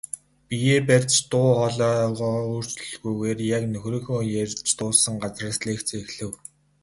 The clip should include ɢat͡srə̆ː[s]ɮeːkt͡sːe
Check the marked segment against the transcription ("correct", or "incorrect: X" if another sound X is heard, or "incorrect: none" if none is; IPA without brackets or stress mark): correct